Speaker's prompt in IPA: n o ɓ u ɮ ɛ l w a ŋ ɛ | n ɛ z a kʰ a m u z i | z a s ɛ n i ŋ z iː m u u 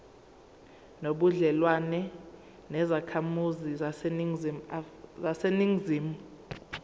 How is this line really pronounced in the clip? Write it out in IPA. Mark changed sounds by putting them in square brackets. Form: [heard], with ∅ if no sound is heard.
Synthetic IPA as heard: n o ɓ u ɮ ɛ l w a [n] ɛ | n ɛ z a kʰ a m u z i | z a s [e] n i ŋ z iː m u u